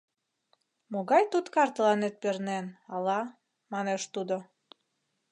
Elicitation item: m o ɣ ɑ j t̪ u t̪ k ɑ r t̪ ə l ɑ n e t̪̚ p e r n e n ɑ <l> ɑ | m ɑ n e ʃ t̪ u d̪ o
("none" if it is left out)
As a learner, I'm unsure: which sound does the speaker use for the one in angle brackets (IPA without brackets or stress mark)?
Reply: l